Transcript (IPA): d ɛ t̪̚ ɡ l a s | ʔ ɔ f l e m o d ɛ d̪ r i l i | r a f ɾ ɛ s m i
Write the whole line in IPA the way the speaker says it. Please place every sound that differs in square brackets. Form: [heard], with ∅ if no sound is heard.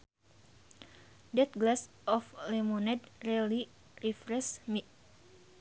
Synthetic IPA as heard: d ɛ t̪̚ ɡ l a s | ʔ ɔ f l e m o [n] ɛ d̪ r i l i | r [i] f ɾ ɛ s m i

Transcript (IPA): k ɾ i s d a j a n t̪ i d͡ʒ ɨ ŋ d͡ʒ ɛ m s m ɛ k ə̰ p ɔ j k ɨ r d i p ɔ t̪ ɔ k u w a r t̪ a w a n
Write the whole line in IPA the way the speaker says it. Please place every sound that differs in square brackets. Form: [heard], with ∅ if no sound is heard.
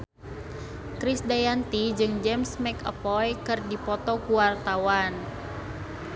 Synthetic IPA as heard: k ɾ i s d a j a n t̪ i d͡ʒ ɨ ŋ d͡ʒ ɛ m s m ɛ k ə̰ p ɔ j k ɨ r d i p ɔ t̪ ɔ k u w a r t̪ a w a n

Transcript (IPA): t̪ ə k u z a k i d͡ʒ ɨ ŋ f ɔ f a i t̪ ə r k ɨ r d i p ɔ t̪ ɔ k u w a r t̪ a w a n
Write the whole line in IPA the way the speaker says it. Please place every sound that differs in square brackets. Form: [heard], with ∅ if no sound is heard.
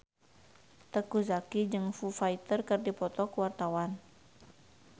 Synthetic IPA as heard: t̪ ə k u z a k i d͡ʒ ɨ ŋ f [u] f a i t̪ ə r k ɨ r d i p ɔ t̪ ɔ k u w a r t̪ a w a n

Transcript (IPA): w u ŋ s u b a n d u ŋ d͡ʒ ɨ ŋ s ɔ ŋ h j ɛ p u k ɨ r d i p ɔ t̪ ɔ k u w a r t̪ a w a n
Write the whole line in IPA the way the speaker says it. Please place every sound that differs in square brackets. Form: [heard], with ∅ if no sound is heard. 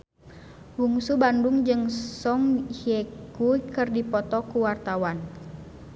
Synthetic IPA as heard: w u ŋ s u b a n d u ŋ d͡ʒ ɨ ŋ s ɔ ŋ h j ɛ [k] u k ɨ r d i p ɔ t̪ ɔ k u w a r t̪ a w a n

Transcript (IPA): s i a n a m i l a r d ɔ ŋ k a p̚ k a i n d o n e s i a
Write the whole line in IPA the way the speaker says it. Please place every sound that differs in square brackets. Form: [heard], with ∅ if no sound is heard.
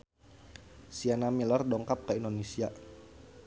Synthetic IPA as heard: s i a n a m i l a r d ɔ ŋ k a p̚ k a i n d o n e s i a

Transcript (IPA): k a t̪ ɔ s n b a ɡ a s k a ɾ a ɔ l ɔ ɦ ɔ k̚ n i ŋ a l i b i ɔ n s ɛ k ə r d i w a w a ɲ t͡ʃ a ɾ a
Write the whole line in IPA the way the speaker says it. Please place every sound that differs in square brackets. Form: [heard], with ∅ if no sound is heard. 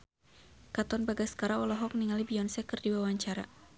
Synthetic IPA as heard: k a t̪ ɔ [∅] n b a ɡ a s k a ɾ a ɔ l ɔ ɦ ɔ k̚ n i ŋ a l i b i ɔ n s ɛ k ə r d i w a w a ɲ t͡ʃ a ɾ a

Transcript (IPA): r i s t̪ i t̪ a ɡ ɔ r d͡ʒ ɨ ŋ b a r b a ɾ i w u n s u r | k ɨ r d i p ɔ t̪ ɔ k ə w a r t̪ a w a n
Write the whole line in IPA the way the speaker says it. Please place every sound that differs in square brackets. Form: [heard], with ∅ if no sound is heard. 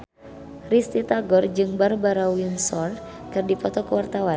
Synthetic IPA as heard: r i s t̪ i t̪ a ɡ ɔ r d͡ʒ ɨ ŋ b a r b a ɾ [a] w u n s [ɔ] r | k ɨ r d i p ɔ t̪ ɔ k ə w a r t̪ a w a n

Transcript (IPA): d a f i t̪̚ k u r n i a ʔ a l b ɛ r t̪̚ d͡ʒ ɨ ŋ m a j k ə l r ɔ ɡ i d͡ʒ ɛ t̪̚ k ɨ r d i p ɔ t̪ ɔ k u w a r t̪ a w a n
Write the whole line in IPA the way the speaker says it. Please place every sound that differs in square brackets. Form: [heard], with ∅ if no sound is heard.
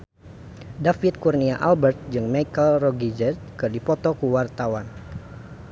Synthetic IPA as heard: d a f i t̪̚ k u r n i a ʔ a l b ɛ r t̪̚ d͡ʒ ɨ ŋ m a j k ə l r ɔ ɡ i d͡ʒ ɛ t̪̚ k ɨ r d i p ɔ t̪ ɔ k u w a r t̪ a w a n

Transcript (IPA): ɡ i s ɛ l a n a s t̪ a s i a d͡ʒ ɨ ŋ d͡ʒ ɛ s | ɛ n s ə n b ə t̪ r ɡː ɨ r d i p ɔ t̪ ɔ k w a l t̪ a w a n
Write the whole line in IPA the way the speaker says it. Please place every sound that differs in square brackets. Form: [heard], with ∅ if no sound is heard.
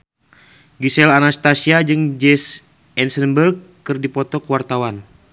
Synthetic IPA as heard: ɡ i s ɛ l a n a s t̪ a s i a d͡ʒ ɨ ŋ d͡ʒ ɛ s | ɛ n s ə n b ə [∅] r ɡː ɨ r d i p ɔ t̪ ɔ k w a [r] t̪ a w a n

